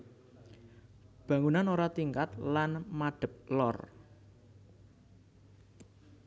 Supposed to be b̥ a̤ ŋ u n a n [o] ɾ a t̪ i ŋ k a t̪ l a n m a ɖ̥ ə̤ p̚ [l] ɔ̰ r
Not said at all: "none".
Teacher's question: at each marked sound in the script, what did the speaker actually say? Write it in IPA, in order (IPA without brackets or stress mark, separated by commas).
o, l